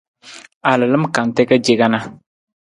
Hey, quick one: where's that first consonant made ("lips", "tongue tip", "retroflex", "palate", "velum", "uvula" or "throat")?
tongue tip